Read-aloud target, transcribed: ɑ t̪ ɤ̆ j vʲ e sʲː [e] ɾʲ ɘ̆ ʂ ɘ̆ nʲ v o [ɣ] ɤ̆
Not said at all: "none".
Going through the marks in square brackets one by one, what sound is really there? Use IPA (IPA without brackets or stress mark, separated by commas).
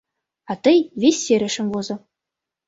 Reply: e, z